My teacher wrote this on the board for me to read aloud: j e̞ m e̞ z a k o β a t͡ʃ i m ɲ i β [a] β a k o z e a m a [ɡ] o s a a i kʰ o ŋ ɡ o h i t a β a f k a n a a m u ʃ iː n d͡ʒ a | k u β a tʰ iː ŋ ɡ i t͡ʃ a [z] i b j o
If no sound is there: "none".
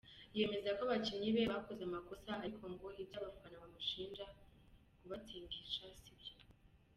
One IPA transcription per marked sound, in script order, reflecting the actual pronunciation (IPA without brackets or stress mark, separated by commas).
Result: e, k, s